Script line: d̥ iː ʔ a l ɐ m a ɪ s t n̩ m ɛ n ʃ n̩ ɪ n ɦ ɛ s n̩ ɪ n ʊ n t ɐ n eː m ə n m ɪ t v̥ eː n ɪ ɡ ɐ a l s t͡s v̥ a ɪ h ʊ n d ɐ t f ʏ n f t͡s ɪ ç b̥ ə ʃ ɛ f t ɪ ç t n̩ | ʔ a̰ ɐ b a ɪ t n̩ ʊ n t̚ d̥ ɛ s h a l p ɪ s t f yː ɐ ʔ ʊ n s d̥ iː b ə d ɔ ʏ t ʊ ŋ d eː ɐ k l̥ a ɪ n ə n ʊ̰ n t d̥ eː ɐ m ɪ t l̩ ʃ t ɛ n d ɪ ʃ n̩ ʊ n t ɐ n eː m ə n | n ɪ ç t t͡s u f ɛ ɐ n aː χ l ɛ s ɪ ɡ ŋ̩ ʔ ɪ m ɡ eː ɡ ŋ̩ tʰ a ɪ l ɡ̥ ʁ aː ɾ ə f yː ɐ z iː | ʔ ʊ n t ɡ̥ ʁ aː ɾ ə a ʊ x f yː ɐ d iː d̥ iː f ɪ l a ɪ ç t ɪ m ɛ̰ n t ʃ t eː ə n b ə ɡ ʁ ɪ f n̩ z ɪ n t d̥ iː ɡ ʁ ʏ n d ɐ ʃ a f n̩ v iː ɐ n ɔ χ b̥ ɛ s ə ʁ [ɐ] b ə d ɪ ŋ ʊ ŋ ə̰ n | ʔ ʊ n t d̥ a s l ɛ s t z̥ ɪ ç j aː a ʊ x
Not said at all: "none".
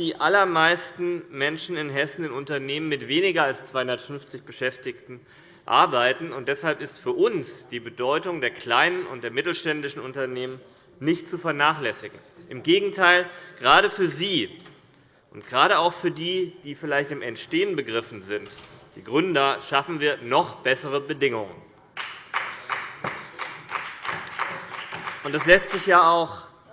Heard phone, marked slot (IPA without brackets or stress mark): ə